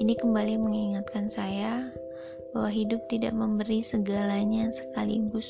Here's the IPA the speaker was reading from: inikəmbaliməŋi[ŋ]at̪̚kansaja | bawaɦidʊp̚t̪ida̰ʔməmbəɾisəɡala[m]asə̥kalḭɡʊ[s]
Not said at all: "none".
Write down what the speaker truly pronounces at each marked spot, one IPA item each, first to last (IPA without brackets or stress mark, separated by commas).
ŋ, ɲ, s